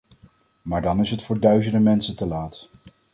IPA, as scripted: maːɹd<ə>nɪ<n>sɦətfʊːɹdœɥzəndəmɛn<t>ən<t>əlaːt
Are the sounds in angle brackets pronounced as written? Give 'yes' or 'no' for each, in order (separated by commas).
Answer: no, no, no, yes